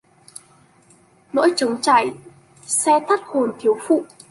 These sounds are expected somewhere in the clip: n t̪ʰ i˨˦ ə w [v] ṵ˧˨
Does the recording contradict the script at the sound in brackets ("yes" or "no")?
yes